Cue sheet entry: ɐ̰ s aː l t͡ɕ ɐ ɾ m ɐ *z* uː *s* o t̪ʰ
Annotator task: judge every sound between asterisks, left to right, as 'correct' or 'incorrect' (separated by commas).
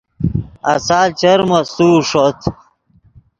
incorrect, incorrect